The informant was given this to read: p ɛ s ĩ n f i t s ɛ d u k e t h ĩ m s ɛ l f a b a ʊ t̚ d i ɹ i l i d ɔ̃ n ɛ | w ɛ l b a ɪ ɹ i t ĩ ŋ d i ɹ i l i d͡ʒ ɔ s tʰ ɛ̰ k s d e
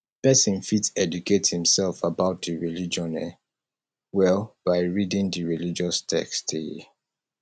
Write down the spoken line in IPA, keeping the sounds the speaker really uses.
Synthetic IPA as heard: p ɛ s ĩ n f i t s ɛ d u k e t h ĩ m s ɛ l f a b a ʊ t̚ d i ɹ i l i d͡ʒ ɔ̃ n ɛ | w ɛ l b a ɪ ɹ i d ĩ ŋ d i ɹ i l i d͡ʒ ɔ s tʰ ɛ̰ k s t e